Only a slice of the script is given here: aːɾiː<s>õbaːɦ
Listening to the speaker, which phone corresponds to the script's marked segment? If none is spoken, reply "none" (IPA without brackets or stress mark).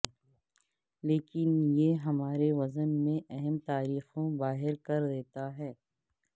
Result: x